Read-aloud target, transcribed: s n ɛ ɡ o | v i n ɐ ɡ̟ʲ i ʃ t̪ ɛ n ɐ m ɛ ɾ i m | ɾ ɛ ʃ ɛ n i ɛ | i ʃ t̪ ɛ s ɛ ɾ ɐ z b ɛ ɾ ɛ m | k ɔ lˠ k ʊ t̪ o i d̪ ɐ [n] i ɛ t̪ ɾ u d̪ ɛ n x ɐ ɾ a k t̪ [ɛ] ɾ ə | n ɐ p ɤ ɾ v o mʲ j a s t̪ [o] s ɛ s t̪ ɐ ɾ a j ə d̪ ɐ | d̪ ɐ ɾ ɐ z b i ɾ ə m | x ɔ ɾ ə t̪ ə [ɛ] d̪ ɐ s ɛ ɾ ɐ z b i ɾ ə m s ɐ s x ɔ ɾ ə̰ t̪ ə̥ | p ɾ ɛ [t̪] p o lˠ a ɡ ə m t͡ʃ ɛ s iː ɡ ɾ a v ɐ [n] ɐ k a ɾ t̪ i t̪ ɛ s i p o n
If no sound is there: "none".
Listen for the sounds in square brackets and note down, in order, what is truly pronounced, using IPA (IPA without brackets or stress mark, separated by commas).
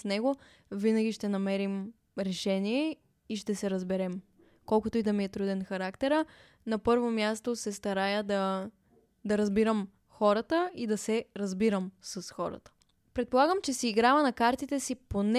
m, ɛ, o, i, t̪, n